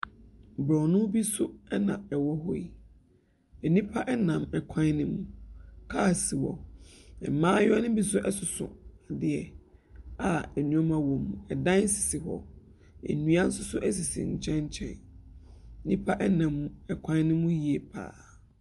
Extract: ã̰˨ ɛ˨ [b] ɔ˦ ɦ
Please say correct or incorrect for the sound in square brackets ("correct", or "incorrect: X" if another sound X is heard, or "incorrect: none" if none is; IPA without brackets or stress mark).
incorrect: w